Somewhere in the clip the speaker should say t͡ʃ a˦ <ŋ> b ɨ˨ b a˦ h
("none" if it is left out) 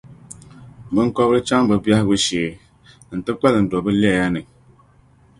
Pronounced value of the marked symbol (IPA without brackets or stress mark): ŋ